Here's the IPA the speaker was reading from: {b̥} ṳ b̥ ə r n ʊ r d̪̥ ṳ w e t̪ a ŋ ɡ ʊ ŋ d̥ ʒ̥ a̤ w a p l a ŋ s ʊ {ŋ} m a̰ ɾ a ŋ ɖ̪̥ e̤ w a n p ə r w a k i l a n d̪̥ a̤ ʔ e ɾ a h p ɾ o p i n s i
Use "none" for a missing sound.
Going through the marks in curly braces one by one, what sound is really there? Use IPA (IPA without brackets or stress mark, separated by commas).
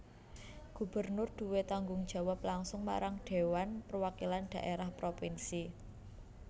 ɡ̥, ŋ